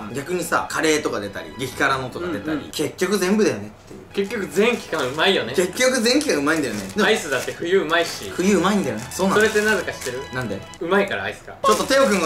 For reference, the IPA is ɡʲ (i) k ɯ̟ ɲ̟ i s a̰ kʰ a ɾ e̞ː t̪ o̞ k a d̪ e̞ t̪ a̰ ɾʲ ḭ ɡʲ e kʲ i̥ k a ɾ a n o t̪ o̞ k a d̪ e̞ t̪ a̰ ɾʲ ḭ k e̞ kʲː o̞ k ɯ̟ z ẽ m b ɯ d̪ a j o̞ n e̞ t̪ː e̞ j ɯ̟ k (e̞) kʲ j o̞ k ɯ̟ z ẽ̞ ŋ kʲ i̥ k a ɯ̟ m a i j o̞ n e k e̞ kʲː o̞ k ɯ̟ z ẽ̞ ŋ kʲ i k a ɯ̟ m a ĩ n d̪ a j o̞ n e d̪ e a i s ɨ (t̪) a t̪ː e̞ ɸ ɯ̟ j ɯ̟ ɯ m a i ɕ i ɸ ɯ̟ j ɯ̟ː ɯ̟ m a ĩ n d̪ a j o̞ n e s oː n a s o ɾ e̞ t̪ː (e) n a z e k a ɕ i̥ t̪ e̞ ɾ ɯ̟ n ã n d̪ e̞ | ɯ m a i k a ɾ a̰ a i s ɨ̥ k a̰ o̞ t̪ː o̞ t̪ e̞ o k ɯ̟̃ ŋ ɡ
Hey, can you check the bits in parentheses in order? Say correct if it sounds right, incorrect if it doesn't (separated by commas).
incorrect, correct, incorrect, correct